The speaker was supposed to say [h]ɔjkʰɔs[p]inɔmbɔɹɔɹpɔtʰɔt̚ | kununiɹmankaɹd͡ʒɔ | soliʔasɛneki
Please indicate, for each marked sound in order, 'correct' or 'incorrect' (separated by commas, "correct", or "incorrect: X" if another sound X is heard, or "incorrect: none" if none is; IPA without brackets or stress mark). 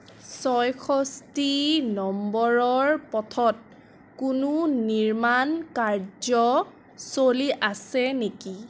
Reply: incorrect: s, incorrect: t